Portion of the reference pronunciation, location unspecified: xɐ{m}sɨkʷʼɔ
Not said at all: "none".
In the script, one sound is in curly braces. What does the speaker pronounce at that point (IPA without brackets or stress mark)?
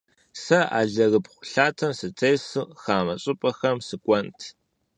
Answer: m